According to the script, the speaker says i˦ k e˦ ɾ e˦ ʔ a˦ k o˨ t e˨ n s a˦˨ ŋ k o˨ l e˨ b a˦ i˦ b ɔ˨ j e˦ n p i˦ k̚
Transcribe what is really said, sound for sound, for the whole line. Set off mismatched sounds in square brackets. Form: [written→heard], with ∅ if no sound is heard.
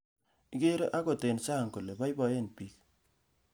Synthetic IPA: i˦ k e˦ ɾ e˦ ʔ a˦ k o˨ t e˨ n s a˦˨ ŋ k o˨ l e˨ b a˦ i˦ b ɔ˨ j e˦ n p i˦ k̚